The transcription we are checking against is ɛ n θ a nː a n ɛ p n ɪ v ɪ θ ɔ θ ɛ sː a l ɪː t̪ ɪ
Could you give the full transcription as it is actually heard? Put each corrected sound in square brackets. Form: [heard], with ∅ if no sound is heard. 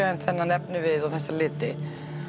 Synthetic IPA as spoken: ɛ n θ [ɛ] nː a n ɛ p n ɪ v ɪ [ð] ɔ θ ɛ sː a l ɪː t̪ ɪ

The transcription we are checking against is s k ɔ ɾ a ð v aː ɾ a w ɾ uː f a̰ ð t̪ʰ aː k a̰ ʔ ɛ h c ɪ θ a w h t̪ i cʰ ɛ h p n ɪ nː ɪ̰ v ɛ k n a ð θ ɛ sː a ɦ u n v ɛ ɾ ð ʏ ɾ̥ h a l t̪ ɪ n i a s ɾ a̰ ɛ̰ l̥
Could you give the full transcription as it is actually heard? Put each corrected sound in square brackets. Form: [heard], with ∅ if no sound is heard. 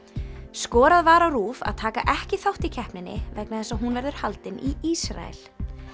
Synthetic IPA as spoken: s k [ɔː] ɾ a ð v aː ɾ a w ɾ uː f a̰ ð t̪ʰ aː k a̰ ʔ ɛ h c ɪ θ a w h t̪ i cʰ ɛ h p n ɪ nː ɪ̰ v ɛ k n a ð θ ɛ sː a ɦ u n v ɛ ɾ ð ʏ ɾ̥ h a l t̪ ɪ n i [i] s ɾ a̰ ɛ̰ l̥

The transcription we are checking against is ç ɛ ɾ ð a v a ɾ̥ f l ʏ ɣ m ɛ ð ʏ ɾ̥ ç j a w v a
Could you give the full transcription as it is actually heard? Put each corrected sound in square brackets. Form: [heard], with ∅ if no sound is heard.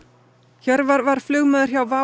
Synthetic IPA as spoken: ç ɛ ɾ [v] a v a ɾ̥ f l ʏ ɣ m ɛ ð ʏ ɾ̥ ç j a w v a

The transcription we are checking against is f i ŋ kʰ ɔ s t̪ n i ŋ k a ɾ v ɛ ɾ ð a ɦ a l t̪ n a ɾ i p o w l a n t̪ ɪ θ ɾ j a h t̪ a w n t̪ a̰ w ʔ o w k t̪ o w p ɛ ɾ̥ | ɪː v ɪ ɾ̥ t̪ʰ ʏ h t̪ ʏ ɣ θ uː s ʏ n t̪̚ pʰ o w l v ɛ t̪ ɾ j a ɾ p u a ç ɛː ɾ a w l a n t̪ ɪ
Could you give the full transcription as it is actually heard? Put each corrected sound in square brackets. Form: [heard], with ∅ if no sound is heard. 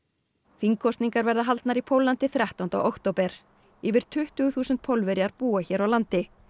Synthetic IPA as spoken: f i ŋ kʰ ɔ s t̪ n i ŋ k a ɾ v ɛ ɾ ð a ɦ a l t̪ n a ɾ i [pʰ] o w l a n t̪ ɪ θ ɾ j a h t̪ a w n t̪ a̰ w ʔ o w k t̪ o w p ɛ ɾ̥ | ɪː v ɪ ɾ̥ t̪ʰ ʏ h t̪ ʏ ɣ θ uː s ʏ n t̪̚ pʰ o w l v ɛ [∅] ɾ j a ɾ p [uː] a ç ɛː ɾ a w l a n t̪ ɪ

